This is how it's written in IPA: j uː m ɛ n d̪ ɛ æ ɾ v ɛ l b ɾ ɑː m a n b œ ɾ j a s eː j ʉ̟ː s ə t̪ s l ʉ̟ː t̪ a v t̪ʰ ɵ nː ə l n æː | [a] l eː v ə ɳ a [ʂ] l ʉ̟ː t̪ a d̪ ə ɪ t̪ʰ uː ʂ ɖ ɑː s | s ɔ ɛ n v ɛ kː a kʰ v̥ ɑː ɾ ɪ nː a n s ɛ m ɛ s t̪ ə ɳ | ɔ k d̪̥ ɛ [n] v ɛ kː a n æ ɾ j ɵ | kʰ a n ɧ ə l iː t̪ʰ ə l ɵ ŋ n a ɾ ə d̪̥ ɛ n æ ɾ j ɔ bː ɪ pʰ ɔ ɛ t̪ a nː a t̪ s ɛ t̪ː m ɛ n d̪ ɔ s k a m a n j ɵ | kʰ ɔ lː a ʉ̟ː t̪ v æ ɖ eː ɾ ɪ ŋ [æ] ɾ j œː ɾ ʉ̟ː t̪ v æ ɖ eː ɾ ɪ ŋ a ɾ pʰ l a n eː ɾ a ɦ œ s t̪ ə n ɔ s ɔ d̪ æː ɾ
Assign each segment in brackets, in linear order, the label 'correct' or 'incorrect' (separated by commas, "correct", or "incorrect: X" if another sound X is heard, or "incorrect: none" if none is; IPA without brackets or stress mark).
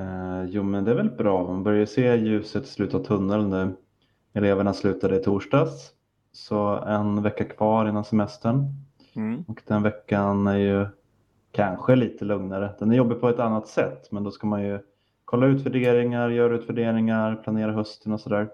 incorrect: ɛ, incorrect: s, correct, incorrect: a